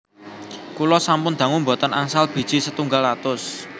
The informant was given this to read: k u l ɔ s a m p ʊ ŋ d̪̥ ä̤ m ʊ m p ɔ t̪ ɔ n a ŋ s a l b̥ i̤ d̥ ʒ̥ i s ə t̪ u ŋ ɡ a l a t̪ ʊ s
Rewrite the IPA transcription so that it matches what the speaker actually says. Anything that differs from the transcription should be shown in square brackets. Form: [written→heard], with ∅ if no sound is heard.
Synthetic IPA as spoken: k u l ɔ s a m p ʊ [ŋ→n] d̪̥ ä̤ [m→ŋ] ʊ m [p→b] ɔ t̪ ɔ n a ŋ s a l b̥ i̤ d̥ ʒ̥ i s ə t̪ u ŋ ɡ a l a t̪ ʊ s